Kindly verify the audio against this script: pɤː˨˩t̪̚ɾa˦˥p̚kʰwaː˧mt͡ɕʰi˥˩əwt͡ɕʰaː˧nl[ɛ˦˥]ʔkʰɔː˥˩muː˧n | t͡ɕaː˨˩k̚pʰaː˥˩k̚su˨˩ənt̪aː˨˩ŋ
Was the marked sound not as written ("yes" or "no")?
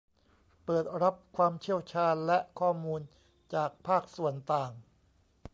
no